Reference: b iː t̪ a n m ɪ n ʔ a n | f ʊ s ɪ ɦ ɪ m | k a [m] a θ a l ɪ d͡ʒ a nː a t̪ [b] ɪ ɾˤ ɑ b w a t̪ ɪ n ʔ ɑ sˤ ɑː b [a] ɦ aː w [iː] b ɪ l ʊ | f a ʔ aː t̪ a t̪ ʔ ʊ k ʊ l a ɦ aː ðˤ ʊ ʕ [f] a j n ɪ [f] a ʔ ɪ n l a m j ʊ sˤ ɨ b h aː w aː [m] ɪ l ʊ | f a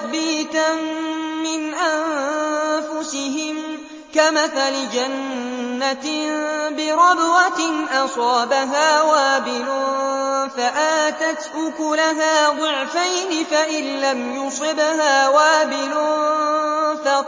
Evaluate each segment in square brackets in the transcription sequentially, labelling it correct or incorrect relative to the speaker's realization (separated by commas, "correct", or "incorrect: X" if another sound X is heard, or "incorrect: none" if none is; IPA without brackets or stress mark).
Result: correct, correct, correct, incorrect: aː, correct, correct, incorrect: b